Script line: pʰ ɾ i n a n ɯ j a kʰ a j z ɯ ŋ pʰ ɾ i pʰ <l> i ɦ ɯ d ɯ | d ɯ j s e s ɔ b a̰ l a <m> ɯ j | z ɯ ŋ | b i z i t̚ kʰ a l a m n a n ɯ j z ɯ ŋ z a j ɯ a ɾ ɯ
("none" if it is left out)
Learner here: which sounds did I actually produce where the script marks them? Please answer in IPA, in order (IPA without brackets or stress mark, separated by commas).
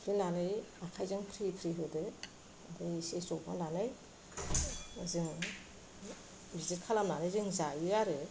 ɾ, n